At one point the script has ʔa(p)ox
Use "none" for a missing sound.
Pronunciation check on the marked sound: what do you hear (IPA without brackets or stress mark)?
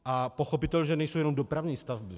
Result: p